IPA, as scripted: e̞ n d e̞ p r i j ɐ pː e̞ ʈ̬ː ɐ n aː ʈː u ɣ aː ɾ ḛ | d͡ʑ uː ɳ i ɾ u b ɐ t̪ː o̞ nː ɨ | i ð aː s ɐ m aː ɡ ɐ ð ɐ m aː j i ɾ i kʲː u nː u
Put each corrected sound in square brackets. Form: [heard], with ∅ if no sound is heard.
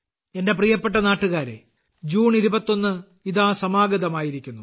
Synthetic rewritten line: e̞ n d e̞ p r i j ɐ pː e̞ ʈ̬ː ɐ n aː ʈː u ɣ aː ɾ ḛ | d͡ʑ uː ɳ i ɾ u b ɐ t̪ː o̞ nː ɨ | i ð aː s ɐ m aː ɡ ɐ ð ɐ m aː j i ɾ i kʲː u nː u